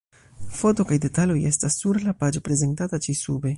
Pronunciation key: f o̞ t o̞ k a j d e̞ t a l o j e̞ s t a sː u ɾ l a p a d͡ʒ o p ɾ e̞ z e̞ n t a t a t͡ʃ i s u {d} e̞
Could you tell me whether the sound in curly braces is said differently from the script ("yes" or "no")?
yes